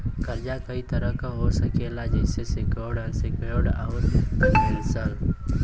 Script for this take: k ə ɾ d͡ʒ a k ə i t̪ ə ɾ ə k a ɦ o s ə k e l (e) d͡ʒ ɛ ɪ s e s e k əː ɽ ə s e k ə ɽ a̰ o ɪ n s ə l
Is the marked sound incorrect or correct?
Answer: incorrect